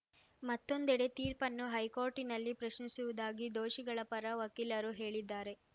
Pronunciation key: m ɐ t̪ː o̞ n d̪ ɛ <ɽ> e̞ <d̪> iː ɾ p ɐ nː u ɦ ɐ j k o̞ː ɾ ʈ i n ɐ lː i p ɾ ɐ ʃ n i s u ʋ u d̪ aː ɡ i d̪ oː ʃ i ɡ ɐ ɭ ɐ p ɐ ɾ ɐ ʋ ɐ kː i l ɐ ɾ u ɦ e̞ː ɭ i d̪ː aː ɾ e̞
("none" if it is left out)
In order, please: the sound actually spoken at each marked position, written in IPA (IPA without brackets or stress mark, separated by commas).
ɽ, t̪